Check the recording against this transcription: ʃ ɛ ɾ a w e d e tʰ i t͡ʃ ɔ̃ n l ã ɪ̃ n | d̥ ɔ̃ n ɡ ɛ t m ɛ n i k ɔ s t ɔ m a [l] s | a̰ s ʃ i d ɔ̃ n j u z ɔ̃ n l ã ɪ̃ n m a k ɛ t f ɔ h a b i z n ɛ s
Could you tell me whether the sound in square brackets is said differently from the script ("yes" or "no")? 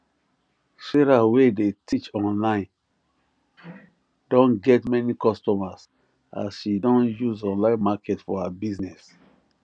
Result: yes